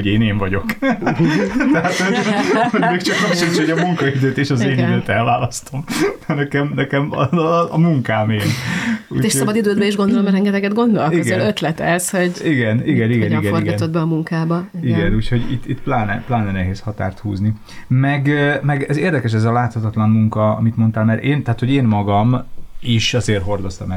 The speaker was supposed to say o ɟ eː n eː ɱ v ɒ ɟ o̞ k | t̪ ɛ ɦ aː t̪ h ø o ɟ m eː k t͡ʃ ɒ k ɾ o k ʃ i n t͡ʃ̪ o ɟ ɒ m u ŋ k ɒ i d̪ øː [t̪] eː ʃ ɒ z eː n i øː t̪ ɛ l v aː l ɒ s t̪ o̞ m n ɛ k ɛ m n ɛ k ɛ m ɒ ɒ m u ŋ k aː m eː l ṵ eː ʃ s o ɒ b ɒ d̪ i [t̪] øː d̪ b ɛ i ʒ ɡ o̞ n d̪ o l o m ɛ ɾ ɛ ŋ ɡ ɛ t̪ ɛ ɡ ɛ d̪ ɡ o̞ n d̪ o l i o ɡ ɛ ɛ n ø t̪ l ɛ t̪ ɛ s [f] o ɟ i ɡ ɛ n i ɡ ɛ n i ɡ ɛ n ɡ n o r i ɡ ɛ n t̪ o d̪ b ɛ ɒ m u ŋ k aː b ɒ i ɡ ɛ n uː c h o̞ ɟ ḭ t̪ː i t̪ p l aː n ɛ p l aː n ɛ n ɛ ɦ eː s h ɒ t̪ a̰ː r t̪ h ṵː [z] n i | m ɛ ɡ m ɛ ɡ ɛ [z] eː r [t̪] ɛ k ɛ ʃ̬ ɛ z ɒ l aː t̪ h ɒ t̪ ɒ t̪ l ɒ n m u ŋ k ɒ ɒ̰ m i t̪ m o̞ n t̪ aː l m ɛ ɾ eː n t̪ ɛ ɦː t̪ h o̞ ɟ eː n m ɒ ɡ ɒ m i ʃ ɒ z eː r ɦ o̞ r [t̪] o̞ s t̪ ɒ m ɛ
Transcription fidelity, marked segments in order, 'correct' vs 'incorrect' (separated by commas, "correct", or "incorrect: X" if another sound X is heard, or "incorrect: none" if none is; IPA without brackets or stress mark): correct, incorrect: d̪, incorrect: h, correct, correct, incorrect: d̪, incorrect: d̪